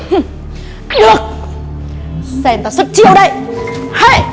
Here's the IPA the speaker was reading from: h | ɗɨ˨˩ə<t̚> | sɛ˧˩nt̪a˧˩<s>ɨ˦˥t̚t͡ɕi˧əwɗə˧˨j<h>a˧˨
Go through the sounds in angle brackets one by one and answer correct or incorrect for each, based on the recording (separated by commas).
incorrect, correct, correct